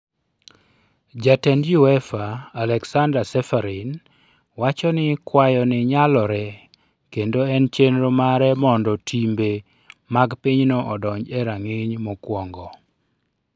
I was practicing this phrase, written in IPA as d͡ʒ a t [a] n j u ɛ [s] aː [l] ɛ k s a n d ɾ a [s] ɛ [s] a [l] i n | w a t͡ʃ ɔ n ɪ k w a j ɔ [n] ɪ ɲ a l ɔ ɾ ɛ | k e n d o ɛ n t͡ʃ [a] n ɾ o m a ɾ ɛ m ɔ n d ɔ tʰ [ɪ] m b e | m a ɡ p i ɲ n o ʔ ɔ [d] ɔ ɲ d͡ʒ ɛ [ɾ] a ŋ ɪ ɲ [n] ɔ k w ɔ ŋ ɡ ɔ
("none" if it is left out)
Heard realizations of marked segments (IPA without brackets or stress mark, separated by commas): ɛ, f, l, s, f, ɾ, n, e, i, d, ɾ, m